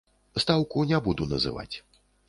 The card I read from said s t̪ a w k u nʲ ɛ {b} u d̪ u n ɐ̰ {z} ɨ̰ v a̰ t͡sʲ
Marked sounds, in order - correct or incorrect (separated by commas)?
correct, correct